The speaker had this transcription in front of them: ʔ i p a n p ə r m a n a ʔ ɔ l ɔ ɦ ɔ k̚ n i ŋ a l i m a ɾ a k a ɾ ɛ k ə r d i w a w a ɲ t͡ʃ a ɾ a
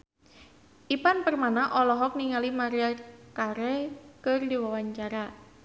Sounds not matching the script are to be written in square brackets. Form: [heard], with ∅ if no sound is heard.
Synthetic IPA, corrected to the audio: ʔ i p a n p ə r m a n a ʔ ɔ l ɔ ɦ ɔ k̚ n i ŋ a l i m a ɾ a k a ɾ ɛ k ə r d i w a w a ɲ t͡ʃ a ɾ a